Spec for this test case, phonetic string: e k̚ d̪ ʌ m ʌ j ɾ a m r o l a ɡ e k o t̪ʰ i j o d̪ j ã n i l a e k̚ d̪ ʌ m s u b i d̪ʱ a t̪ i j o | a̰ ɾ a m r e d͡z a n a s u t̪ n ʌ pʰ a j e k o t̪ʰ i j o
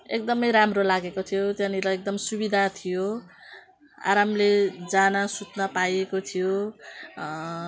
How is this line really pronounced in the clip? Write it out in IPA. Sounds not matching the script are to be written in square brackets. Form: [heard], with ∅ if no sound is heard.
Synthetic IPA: e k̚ d̪ ʌ m ʌ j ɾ a m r o l a ɡ e k o t̪ʰ i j o [t̪] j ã n i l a e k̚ d̪ ʌ m s u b i d̪ʱ a [t̪ʰ] i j o | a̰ ɾ a m [l] e d͡z a n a s u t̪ n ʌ [p] a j e k o t̪ʰ i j o